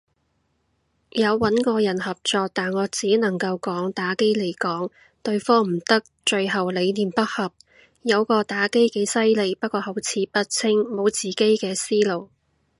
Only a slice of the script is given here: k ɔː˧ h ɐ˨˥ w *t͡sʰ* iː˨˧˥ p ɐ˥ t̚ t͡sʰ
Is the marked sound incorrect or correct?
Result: correct